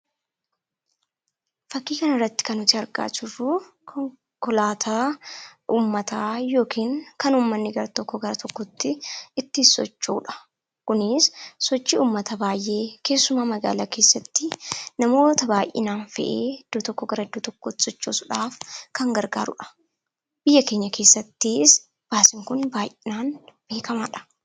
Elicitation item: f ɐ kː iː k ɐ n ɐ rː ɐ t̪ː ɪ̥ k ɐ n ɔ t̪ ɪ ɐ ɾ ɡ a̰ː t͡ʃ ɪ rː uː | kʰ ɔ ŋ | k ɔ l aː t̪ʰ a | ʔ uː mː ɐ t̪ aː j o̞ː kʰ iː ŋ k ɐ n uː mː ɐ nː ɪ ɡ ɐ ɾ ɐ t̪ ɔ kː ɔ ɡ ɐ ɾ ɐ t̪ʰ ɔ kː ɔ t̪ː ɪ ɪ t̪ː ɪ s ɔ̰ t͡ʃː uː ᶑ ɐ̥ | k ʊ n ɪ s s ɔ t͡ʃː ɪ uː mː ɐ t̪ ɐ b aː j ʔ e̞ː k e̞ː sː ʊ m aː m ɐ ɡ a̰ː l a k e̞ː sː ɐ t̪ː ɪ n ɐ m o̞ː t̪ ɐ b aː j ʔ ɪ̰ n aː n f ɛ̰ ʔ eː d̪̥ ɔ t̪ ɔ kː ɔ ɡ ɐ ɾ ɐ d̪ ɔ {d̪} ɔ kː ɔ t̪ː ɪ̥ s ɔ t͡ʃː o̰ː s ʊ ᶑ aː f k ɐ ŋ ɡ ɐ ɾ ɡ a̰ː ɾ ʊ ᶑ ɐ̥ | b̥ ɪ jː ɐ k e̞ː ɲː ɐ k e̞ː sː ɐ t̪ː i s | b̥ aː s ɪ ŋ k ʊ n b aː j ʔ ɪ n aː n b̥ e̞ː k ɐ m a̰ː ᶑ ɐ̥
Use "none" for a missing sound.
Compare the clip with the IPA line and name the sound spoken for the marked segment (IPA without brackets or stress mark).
t̪